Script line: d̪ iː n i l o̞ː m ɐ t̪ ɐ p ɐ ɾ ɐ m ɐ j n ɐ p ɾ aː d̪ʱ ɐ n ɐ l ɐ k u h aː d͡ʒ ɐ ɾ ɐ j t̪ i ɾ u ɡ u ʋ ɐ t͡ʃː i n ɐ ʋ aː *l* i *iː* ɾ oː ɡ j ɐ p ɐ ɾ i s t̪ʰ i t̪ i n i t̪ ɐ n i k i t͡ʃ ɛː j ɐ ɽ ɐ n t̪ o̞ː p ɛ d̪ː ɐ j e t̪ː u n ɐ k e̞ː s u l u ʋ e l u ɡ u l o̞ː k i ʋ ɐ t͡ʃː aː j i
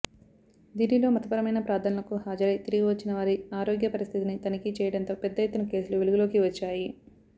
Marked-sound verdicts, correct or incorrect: incorrect, incorrect

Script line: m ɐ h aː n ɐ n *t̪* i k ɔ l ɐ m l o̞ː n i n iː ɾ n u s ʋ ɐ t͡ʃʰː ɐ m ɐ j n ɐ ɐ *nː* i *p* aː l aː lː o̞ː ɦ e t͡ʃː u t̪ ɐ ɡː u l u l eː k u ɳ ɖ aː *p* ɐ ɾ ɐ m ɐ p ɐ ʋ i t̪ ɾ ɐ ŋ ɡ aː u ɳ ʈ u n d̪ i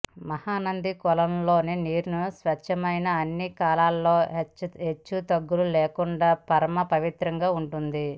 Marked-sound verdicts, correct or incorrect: incorrect, correct, incorrect, correct

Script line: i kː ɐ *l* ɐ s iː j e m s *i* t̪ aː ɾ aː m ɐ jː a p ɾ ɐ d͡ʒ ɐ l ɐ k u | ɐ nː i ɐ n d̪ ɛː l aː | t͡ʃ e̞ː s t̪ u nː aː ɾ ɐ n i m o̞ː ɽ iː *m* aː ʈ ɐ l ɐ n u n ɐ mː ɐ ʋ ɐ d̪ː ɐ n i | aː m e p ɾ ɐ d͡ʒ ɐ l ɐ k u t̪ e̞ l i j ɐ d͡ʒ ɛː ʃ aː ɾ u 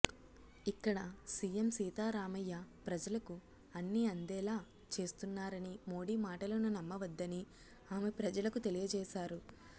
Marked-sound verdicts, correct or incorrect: incorrect, incorrect, correct

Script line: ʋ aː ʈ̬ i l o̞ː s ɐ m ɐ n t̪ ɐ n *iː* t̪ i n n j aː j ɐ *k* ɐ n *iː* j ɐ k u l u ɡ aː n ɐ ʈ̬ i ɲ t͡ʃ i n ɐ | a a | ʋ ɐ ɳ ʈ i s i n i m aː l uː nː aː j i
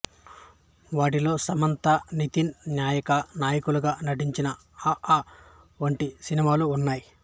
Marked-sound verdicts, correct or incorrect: incorrect, correct, incorrect

